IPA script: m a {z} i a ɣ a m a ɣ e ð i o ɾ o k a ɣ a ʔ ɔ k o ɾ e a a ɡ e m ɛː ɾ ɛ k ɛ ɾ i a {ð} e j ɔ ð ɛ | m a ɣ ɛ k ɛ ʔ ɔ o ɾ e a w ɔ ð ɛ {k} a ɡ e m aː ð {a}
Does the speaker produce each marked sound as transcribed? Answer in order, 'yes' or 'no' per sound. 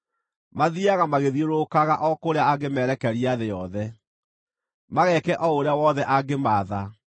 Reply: no, yes, no, yes

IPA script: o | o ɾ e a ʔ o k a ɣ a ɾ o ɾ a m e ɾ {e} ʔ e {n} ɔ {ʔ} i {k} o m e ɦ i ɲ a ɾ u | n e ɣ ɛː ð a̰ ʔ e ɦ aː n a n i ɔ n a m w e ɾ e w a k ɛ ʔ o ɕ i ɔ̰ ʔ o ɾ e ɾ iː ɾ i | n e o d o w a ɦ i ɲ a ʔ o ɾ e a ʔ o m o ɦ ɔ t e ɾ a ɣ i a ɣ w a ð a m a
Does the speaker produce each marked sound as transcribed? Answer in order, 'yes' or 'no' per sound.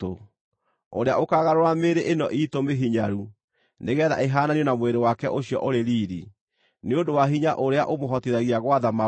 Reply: yes, yes, yes, no

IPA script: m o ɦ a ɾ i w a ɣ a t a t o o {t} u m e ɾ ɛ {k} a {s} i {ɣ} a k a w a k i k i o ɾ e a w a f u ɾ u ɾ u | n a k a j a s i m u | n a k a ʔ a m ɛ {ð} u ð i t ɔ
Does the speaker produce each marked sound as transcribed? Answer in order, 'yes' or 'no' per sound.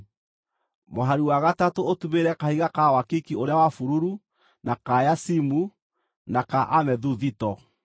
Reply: yes, yes, no, yes, yes

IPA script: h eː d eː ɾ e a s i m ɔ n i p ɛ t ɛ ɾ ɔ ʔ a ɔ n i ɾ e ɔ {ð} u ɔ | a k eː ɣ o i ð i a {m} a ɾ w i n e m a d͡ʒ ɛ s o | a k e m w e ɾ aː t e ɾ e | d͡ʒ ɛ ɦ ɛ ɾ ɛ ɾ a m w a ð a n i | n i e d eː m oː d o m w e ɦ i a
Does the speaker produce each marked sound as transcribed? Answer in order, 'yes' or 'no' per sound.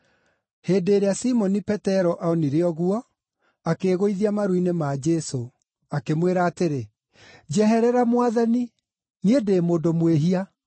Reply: no, yes

